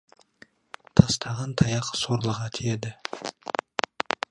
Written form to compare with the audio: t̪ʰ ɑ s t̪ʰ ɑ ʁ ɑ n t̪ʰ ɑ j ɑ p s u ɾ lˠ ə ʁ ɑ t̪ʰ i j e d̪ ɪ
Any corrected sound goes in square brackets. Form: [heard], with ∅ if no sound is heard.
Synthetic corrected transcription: t̪ʰ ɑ s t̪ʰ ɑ ʁ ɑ n t̪ʰ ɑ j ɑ [q] s [o] ɾ lˠ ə ʁ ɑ t̪ʰ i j e d̪ ɪ